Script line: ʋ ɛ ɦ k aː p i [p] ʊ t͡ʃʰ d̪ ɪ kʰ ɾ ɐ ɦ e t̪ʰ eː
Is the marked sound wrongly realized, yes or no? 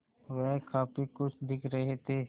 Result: yes